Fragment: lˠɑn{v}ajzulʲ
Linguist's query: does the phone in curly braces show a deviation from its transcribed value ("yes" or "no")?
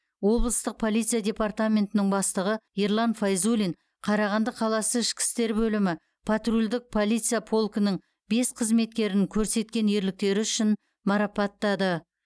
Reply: yes